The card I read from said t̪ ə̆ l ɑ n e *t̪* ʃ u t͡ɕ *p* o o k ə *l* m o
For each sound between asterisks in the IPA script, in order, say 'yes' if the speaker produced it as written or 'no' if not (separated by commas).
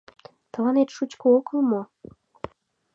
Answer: yes, no, yes